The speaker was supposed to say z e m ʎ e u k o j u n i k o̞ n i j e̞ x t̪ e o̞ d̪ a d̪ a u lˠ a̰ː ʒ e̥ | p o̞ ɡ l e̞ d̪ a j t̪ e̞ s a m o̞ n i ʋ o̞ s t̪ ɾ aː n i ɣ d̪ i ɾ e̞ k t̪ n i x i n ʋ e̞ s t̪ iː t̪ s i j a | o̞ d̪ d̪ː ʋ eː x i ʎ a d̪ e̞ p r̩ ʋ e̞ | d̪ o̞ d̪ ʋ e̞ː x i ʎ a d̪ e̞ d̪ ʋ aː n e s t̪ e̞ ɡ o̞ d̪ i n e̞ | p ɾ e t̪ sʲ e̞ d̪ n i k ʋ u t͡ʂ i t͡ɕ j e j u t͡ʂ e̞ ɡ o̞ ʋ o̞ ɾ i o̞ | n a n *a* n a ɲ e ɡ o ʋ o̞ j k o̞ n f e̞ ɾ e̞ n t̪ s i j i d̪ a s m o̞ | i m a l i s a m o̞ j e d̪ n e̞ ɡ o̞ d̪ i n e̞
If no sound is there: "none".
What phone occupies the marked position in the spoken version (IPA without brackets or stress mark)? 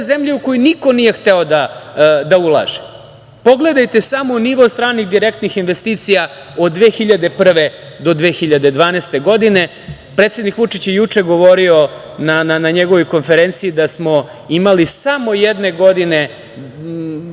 a